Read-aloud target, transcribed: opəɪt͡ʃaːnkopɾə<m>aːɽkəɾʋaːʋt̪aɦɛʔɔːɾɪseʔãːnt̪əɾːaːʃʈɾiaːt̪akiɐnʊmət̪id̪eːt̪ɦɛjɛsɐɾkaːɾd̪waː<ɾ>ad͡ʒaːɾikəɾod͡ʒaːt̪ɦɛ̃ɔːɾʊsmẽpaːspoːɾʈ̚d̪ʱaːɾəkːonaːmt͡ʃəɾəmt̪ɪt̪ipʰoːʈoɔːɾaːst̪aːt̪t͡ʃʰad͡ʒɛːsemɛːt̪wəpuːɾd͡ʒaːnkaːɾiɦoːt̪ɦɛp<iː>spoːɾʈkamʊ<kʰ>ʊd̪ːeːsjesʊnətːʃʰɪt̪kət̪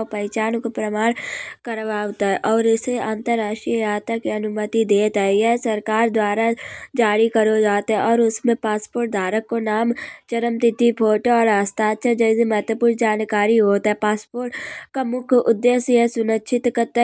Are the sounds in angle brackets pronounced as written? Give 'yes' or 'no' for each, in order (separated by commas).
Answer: yes, yes, no, yes